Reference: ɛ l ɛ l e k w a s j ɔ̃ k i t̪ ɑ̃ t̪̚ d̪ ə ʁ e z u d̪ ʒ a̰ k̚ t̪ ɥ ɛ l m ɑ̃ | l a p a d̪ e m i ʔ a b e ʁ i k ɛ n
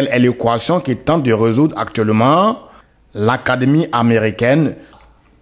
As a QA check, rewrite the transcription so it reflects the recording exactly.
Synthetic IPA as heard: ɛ l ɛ l e k w a s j ɔ̃ k i t̪ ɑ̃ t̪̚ d̪ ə ʁ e z u d̪ ʁ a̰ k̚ t̪ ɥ ɛ l m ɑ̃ | l a k a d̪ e m i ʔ a m e ʁ i k ɛ n